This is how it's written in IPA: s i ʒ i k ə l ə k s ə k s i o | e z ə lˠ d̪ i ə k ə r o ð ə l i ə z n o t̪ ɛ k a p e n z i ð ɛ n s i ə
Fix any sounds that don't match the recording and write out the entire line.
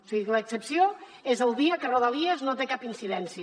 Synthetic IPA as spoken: s i ɣ i k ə l ə k s ə p s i o | e z ə lˠ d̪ i ə k ə r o ð ə l i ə z n o t̪ e k a p i n s i ð ɛ n s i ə